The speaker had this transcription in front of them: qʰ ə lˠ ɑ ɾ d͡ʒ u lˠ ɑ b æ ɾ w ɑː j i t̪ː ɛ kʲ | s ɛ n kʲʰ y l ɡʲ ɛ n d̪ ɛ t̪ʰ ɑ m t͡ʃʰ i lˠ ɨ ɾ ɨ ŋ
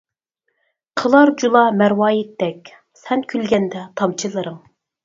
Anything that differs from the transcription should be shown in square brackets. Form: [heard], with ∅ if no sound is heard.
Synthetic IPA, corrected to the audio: qʰ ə lˠ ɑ ɾ d͡ʒ u lˠ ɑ [m] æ ɾ w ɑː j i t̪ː ɛ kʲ | s ɛ n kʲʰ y l ɡʲ ɛ n d̪ ɛ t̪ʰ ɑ m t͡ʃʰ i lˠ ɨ ɾ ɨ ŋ